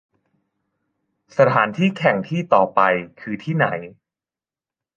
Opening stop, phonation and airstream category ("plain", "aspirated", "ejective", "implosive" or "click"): aspirated